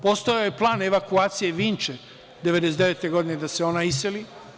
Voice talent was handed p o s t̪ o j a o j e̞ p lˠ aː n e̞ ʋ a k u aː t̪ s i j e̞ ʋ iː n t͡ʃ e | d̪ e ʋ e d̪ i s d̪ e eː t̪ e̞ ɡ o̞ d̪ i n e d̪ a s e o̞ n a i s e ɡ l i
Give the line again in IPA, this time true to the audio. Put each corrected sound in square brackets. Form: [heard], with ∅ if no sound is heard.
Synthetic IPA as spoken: p o s t̪ o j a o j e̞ p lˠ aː n e̞ ʋ a k u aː t̪ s i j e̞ ʋ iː n t͡ʃ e | d̪ e ʋ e d̪ [e] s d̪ e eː t̪ e̞ ɡ o̞ d̪ i n e d̪ a s e o̞ n a i s e [∅] l i